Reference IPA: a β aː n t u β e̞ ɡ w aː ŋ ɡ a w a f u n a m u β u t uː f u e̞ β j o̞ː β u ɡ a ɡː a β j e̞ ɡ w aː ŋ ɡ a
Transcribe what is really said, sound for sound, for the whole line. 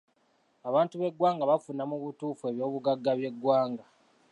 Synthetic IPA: a β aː n t u β e̞ ɡ w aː ŋ ɡ a β a f u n a m u β u t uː f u e̞ β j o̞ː β u ɡ a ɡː a β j e̞ ɡ w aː ŋ ɡ a